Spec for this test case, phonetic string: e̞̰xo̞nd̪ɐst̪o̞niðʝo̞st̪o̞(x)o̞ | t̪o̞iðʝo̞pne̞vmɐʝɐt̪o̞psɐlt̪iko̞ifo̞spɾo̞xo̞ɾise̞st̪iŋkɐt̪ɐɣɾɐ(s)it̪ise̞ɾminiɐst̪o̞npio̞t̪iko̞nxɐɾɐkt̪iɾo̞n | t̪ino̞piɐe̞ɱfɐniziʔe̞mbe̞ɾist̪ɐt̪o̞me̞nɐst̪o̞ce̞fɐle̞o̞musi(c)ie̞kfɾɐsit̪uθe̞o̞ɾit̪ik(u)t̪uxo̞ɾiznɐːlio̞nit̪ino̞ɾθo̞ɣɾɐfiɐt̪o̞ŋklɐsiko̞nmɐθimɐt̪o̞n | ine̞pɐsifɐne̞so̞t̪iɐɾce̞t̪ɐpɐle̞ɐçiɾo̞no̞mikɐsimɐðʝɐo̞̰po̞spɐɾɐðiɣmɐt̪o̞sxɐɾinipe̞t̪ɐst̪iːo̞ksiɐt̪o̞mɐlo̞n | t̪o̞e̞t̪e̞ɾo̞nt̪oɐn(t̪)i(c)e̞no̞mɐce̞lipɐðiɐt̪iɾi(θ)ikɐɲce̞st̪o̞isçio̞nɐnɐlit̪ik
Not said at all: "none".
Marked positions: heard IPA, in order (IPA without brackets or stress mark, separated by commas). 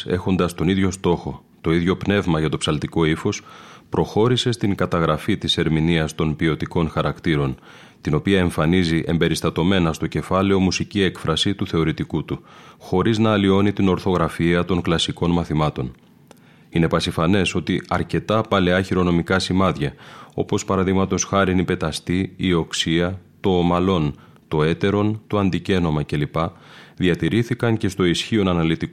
x, f, c, u, d̪, c, θ